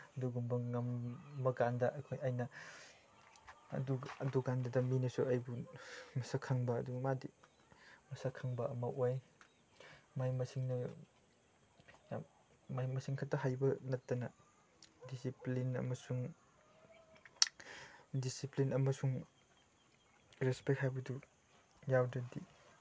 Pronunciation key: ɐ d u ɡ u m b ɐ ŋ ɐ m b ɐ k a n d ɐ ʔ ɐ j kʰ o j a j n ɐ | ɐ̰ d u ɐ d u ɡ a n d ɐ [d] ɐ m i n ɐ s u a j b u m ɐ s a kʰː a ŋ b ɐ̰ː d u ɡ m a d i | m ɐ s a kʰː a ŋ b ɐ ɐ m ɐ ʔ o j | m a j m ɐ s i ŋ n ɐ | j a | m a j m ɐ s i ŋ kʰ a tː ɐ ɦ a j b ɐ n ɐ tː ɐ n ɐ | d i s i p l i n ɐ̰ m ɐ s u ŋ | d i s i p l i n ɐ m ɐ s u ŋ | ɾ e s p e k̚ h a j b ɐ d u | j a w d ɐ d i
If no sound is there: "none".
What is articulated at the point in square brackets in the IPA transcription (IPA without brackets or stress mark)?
d